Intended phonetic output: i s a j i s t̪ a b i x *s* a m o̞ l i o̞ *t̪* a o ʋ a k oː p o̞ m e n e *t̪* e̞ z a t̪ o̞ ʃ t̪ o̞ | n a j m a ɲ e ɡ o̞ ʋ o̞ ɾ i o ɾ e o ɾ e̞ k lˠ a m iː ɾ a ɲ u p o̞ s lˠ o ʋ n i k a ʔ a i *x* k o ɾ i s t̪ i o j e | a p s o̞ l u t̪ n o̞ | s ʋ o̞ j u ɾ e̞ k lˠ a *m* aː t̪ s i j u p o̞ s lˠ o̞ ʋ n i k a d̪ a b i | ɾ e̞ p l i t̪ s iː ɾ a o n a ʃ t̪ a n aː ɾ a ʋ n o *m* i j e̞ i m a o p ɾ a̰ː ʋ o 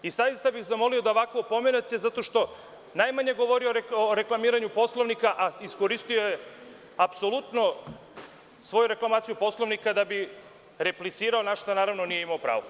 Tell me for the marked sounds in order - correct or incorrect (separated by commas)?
incorrect, incorrect, correct, incorrect, correct, incorrect